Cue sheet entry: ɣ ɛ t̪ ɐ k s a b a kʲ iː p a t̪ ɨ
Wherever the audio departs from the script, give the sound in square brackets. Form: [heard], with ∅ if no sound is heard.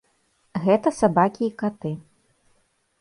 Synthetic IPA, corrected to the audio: ɣ ɛ t̪ ɐ [∅] s a b a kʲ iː [k] a t̪ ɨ